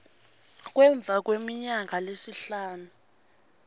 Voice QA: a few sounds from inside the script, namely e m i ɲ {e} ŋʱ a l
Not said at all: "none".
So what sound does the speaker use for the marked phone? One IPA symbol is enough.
a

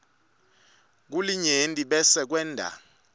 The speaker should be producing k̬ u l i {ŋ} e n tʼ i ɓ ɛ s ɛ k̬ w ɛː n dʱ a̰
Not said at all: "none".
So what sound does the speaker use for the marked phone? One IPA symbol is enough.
ɲ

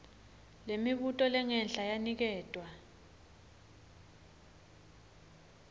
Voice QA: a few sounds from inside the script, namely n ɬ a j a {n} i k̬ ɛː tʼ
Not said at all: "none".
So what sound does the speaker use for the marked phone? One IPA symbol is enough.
n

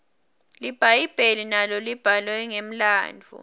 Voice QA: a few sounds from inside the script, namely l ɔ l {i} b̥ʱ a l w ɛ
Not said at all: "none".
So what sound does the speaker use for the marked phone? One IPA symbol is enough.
i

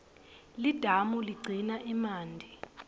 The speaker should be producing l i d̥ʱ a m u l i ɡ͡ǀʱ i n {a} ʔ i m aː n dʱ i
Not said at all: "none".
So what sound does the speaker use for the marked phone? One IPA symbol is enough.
a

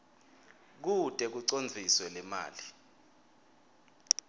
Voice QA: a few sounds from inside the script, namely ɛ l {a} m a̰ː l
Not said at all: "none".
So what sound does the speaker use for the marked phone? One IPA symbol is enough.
ɛ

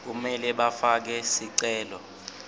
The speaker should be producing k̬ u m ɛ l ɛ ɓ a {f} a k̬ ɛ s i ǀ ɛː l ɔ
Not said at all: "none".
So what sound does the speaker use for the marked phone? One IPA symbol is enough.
f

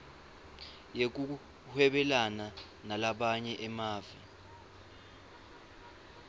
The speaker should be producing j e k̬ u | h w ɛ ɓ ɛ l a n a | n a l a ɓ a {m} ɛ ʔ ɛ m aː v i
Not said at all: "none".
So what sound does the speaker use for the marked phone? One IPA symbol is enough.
ɲ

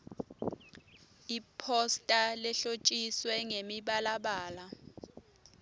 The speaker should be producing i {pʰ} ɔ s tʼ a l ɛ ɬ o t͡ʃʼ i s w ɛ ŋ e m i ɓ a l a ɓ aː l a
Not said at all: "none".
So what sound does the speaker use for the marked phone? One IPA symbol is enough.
pʰ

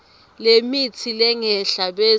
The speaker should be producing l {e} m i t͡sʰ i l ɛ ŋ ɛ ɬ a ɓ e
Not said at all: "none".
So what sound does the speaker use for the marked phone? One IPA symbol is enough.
e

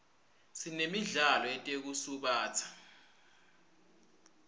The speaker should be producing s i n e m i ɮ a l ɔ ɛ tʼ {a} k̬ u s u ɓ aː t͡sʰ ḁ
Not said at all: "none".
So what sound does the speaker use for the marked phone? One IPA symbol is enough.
e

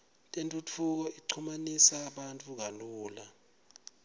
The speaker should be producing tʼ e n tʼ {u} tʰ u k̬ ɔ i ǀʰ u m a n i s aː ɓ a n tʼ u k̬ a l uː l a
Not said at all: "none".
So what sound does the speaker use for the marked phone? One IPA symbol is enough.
u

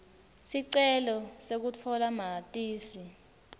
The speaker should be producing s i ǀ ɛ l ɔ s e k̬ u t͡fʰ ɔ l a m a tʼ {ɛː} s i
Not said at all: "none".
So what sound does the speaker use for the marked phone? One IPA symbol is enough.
iː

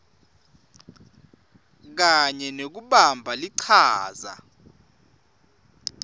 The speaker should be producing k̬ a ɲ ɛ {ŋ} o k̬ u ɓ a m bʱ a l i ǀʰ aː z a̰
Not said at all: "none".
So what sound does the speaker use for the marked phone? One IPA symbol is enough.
n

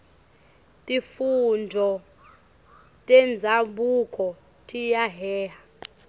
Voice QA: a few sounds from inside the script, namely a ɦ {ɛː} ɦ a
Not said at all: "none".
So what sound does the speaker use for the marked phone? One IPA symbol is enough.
ɛː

